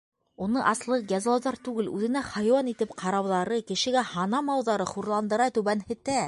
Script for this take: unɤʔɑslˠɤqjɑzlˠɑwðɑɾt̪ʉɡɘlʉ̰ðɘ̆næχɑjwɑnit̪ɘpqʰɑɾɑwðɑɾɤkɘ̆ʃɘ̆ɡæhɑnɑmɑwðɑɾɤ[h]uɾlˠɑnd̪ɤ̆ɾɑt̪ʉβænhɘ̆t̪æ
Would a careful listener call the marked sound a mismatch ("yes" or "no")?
yes